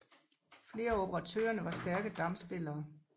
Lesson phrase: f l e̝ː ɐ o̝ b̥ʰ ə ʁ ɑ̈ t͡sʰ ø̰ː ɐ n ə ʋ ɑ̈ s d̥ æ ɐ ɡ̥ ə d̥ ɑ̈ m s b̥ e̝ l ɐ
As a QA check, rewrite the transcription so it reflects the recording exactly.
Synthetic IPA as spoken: f l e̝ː ɐ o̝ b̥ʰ ə ʁ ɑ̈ t͡sʰ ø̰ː ɐ n ə ʋ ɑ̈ s d̥ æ ɐ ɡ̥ ə d̥ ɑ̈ m s b̥ e̝ l ɐː